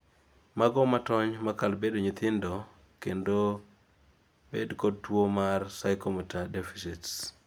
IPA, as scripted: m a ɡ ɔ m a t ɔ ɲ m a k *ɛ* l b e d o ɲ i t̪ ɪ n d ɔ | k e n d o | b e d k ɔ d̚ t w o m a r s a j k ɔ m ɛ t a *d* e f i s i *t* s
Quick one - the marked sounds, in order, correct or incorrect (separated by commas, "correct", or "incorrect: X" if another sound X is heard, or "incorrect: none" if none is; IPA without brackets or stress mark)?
incorrect: a, correct, correct